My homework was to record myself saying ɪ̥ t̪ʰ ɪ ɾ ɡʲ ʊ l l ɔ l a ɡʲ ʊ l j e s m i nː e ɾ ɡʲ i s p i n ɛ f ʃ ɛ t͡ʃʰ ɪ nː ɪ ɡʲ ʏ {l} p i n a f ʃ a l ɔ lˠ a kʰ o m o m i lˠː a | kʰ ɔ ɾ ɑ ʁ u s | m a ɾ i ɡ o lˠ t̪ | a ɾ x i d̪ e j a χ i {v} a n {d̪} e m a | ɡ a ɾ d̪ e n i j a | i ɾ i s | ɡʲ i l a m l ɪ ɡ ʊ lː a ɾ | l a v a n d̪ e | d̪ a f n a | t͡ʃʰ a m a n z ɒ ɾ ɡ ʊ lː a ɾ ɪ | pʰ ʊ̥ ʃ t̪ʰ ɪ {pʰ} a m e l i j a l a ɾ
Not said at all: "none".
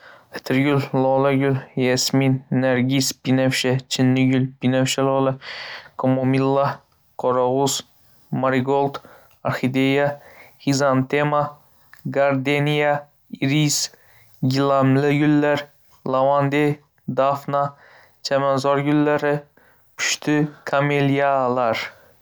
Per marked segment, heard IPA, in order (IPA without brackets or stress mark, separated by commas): l, z, t̪, kʰ